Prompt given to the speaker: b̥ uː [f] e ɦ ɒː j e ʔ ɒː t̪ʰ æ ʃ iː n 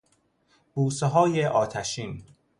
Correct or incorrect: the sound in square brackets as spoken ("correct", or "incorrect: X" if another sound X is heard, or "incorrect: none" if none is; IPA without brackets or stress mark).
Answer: incorrect: s